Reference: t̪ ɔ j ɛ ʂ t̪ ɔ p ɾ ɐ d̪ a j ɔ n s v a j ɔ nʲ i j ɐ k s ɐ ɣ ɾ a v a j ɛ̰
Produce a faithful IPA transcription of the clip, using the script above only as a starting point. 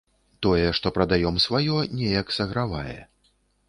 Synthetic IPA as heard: t̪ ɔ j ɛ ʂ t̪ ɔ p ɾ ɐ d̪ a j ɔ m s v a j ɔ nʲ ɛ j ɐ k s ɐ ɣ ɾ a v a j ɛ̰